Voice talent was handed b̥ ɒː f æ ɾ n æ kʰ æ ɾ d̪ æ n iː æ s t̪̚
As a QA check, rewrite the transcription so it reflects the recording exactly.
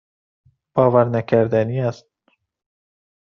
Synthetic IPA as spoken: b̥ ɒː v æ ɾ n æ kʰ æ ɾ d̪ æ n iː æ s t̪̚